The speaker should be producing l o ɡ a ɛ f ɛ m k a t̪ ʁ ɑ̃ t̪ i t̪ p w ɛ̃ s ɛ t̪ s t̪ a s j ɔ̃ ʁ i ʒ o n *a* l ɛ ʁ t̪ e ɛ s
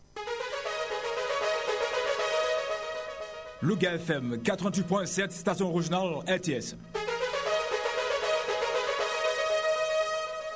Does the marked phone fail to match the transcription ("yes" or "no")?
no